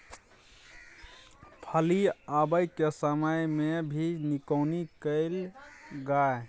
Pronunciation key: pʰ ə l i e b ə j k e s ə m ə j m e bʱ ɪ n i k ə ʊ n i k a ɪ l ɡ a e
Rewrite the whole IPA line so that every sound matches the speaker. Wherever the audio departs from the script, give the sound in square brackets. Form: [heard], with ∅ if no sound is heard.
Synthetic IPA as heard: pʰ ə l i [a] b ə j k e s ə m ə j m e bʱ [i] n i k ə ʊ n i k [ə] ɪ l ɡ a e